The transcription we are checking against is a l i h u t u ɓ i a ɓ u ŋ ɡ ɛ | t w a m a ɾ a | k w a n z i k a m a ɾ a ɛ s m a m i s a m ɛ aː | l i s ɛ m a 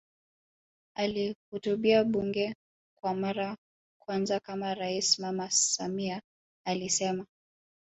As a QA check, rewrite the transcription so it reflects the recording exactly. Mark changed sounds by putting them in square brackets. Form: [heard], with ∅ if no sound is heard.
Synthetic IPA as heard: a l i h u t u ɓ i a ɓ u ŋ ɡ ɛ | [k] w a m a ɾ a | k w a n z [a] k a m a ɾ a [i] s m a m [a] s a m [i] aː | l i s ɛ m a